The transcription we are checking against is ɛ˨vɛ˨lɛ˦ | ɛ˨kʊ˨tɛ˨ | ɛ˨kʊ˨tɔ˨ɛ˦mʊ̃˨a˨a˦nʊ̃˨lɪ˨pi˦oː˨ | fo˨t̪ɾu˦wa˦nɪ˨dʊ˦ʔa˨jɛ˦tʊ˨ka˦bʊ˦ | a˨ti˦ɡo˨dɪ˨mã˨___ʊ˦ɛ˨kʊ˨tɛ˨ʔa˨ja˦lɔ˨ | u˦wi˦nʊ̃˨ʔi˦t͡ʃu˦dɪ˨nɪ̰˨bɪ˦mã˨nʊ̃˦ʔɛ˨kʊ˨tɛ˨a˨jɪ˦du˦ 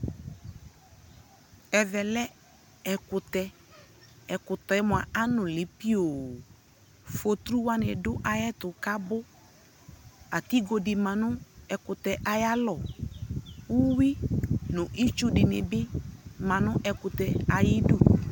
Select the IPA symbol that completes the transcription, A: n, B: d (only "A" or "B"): A